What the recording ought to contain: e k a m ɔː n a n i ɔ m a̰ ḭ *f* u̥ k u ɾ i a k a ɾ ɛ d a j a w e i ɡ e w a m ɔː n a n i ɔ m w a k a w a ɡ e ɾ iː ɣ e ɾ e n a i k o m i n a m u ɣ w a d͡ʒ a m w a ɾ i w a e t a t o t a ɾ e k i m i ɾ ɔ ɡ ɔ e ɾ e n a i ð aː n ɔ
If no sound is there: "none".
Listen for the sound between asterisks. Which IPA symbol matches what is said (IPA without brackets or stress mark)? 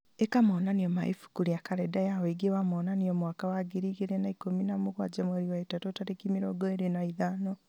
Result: f